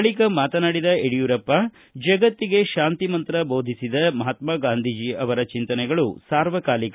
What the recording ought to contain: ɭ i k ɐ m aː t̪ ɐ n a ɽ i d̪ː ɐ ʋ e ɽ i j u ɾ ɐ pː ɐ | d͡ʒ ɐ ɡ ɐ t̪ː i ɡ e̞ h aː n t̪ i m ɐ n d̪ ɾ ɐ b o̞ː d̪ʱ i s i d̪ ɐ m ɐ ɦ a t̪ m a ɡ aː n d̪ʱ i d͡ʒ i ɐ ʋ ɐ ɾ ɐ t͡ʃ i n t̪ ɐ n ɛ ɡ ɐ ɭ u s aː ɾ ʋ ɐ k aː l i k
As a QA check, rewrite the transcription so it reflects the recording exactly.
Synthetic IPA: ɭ i k ɐ m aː t̪ ɐ n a ɽ i d̪ ɐ e ɽ i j u ɾ ɐ pː ɐ | d͡ʒ ɐ ɡ ɐ t̪ː i ɡ e̞ ʃ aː n t̪ i m ɐ n t̪ ɾ ɐ b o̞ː d̪ʱ i s i d̪ ɐ m ɐ ɦ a t̪ m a ɡ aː n d̪ʱ i d͡ʒ i ɐ ʋ ɐ ɾ ɐ t͡ʃ i n t̪ ɐ n ɛ ɡ ɐ ɭ u s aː ɾ ʋ ɐ k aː l i k